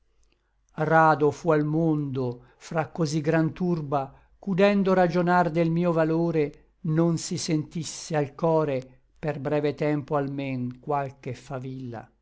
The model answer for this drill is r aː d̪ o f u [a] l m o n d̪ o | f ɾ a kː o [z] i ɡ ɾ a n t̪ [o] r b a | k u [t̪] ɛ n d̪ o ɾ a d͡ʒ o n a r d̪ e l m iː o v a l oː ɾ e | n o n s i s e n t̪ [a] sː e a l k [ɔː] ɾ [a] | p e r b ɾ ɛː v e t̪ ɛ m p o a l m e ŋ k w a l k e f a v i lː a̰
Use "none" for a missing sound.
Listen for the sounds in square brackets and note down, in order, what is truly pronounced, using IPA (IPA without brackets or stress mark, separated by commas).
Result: a, z, u, d̪, i, ɔː, e